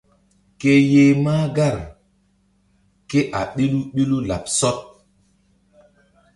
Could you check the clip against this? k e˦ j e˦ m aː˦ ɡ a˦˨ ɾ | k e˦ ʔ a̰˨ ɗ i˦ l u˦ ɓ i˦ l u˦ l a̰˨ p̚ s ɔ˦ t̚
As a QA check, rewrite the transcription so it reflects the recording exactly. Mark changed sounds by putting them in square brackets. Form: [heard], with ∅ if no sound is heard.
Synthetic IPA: k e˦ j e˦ m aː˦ ɡ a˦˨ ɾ | k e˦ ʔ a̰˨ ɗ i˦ l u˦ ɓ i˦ l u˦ l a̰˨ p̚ s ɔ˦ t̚